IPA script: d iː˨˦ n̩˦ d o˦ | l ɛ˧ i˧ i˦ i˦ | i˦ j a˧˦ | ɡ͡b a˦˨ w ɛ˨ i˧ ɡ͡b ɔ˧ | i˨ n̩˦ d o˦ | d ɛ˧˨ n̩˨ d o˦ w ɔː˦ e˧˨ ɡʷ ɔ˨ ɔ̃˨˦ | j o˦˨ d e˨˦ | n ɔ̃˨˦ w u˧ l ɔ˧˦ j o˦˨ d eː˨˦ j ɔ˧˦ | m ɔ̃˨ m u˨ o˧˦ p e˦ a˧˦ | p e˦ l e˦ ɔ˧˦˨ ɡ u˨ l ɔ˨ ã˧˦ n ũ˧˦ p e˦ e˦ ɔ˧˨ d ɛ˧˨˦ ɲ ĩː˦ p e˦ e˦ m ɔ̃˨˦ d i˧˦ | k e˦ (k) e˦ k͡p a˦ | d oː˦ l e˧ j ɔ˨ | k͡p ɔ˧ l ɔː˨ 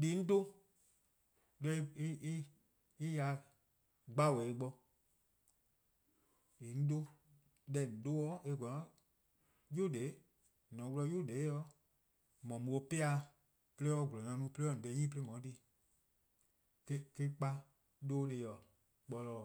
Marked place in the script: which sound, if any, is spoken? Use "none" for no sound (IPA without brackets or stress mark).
k